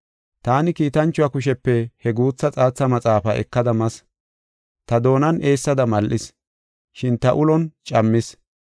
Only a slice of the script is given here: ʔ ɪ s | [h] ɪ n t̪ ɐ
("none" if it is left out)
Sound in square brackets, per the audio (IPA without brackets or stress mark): ʃ